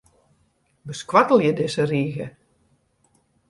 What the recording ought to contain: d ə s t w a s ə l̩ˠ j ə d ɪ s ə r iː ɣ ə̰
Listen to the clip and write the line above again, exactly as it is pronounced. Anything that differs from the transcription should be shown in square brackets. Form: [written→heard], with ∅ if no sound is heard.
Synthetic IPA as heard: [d→b] ə s [t→k] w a [s→t] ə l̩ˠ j ə d ɪ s ə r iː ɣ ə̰